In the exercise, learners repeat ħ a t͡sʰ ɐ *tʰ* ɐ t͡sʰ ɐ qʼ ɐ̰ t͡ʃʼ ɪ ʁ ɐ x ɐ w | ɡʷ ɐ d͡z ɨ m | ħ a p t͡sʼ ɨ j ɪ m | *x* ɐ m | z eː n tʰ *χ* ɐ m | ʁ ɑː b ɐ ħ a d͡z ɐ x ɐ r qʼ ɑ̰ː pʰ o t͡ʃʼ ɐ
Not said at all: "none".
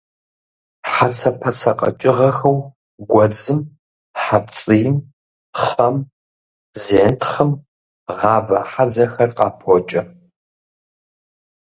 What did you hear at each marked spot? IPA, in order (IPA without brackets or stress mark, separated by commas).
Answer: pʰ, χ, χ